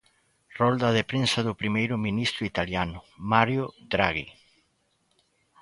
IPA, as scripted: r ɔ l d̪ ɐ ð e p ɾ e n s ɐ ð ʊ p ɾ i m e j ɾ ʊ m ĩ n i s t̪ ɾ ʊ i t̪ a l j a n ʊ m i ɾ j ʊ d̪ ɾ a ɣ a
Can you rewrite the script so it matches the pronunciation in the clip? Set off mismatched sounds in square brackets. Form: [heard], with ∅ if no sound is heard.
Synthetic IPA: r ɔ l d̪ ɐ ð e p ɾ e n s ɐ ð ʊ p ɾ i m e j ɾ ʊ m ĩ n i s t̪ ɾ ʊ i t̪ a l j a n ʊ m [a] ɾ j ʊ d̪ ɾ a ɣ [i]